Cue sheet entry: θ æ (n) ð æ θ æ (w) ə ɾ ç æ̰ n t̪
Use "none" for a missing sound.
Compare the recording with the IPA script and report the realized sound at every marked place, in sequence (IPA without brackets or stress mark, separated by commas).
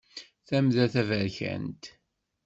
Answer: m, v